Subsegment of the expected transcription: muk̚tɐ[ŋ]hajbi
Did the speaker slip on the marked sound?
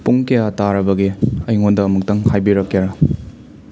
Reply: no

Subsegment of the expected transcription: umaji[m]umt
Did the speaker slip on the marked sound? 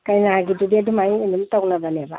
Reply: yes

